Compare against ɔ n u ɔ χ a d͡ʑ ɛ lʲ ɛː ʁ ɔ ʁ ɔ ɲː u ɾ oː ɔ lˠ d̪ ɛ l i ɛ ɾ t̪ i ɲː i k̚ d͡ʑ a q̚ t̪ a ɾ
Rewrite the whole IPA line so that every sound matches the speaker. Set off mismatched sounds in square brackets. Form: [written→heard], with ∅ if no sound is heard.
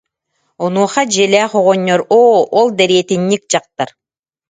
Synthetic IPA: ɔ n u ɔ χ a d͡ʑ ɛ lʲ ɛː [ʁ→χ] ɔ ʁ ɔ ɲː [u→ɔ] ɾ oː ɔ lˠ d̪ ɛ [l→ɾ] i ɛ [ɾ→∅] t̪ i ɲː i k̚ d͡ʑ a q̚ t̪ a ɾ